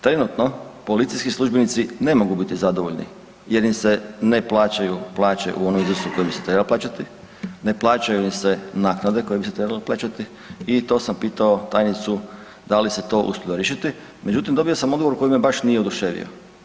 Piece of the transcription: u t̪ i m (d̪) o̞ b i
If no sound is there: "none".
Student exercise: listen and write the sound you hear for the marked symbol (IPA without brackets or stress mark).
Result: d̪